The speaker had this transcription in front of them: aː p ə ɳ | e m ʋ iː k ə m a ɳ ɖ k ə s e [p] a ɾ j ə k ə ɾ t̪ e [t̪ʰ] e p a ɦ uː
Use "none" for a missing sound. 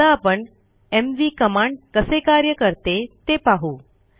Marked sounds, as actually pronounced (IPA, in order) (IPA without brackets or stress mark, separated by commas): k, t̪